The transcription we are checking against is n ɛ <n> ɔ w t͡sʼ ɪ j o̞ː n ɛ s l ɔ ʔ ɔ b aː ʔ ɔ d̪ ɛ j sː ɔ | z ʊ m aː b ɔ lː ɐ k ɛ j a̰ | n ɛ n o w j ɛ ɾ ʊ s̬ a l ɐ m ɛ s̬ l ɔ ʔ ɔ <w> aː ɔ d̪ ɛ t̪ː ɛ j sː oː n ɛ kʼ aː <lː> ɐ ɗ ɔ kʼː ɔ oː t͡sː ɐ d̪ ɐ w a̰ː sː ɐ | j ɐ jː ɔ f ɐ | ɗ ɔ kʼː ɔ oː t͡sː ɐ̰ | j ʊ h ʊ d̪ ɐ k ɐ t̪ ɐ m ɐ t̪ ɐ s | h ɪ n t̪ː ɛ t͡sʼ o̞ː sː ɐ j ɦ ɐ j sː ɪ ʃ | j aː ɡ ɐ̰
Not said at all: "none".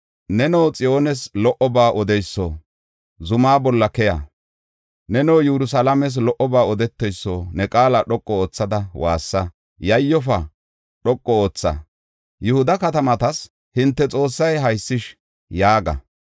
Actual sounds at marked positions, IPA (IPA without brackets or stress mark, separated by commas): n, b, l